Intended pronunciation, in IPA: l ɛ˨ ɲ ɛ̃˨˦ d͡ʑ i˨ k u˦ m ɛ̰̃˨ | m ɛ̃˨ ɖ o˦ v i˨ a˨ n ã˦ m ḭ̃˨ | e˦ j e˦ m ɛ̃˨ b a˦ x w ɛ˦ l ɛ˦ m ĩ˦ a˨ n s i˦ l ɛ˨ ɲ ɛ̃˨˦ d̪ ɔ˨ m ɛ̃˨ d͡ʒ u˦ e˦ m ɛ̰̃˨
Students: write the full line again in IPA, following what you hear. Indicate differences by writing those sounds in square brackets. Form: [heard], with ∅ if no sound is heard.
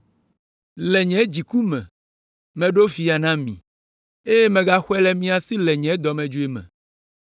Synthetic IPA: l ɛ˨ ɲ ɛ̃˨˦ d͡ʑ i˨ k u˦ m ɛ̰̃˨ | m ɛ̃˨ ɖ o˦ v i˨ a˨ n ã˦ m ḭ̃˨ | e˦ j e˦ m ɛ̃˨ [ɡ] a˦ x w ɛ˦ l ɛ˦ m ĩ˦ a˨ [∅] s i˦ l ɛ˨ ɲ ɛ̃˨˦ d̪ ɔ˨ m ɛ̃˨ d͡ʒ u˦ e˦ m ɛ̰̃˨

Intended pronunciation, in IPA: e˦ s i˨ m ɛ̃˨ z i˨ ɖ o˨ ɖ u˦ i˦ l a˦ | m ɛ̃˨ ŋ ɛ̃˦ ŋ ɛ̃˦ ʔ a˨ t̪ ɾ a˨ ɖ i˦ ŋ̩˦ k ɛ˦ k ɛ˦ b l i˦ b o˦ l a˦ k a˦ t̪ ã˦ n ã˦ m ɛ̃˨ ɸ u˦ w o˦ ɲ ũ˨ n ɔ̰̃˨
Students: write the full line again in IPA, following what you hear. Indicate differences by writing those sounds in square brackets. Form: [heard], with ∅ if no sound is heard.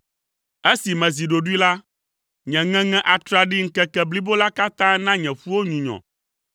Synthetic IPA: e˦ s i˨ m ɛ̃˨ z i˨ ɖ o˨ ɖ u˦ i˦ l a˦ | [ɲ] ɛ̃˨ ŋ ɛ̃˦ ŋ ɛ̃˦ ʔ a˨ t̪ ɾ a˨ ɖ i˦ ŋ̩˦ k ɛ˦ k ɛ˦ b l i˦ b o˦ l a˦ k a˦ t̪ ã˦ n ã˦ [ɲ] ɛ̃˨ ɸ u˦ w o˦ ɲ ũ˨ [ɲ] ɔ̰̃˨

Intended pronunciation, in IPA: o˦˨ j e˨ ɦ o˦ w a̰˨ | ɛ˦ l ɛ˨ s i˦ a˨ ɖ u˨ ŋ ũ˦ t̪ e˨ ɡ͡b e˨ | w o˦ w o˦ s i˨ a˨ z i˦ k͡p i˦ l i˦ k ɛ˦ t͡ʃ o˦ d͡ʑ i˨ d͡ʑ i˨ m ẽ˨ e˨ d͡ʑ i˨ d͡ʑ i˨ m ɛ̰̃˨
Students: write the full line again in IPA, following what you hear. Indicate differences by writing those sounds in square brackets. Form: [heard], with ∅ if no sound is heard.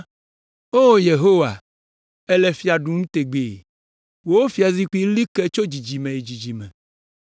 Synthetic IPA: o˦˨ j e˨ ɦ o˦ w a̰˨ | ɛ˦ l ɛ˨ [f] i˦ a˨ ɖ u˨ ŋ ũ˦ t̪ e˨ ɡ͡b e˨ | w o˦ w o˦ [f] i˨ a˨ z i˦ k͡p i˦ l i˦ k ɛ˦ t͡ʃ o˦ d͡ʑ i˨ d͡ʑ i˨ m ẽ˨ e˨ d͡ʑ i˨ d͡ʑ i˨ m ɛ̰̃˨

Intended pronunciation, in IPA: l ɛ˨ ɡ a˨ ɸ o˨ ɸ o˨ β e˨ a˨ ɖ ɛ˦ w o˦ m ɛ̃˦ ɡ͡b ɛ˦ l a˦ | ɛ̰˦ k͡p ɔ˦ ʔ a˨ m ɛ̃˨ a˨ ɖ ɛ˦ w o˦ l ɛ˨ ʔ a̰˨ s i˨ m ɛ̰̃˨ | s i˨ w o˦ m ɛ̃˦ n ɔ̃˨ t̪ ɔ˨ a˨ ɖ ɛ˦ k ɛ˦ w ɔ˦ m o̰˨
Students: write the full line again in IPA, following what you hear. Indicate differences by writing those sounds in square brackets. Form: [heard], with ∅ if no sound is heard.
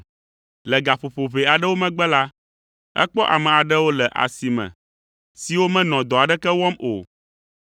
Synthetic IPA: l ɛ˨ ɡ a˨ ɸ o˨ ɸ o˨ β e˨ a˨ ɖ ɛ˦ w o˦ m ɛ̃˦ ɡ͡b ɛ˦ l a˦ | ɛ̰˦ k͡p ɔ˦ ʔ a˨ m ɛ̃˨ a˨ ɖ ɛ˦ w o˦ l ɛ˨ ʔ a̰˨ s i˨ m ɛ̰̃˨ | s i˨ w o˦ m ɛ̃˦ n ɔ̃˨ [d̪] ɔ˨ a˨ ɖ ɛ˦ k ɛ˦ w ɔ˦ m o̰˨

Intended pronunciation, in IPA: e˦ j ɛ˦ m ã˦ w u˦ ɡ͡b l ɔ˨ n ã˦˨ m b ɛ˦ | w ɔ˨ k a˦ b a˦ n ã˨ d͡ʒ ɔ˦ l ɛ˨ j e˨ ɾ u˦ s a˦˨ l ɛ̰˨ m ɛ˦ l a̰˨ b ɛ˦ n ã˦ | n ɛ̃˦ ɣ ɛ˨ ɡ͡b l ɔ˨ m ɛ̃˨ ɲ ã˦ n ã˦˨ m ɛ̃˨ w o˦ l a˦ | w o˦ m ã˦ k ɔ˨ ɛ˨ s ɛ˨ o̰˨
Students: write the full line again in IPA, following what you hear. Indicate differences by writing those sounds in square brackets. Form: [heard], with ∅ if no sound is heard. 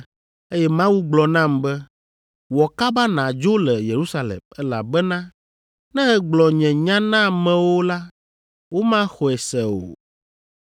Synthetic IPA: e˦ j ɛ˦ m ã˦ w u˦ ɡ͡b l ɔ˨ n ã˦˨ m b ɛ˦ | w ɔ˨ k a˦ b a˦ n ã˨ d͡ʒ [o˦] l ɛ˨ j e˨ ɾ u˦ s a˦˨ l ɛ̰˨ m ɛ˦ l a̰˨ b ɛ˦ n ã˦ | n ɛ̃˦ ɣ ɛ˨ ɡ͡b l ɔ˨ [ɲ] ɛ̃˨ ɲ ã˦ n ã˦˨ m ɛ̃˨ w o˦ l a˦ | w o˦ m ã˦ [x] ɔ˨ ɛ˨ s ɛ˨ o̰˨

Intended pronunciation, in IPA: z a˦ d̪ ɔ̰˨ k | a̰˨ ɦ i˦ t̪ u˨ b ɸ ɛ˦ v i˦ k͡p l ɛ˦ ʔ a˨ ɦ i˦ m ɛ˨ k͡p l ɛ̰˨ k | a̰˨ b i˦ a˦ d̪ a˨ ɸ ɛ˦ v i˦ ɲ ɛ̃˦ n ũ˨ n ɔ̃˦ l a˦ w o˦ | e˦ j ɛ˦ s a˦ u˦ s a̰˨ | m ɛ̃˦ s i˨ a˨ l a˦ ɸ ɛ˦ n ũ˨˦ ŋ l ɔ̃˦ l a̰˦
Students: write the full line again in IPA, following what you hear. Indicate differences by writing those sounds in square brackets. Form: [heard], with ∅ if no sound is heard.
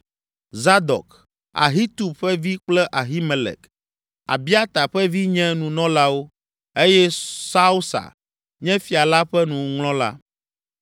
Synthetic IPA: z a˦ d̪ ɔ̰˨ k | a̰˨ ɦ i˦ t̪ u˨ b ɸ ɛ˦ v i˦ k͡p l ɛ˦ ʔ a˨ ɦ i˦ m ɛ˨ [∅] l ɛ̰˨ k | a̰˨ b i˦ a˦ [t̪] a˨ ɸ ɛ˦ v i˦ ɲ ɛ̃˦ n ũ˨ n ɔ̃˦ l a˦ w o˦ | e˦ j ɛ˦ s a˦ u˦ s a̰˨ | [ɲ] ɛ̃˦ [f] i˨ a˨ l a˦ ɸ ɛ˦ n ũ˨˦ ŋ l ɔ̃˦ l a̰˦

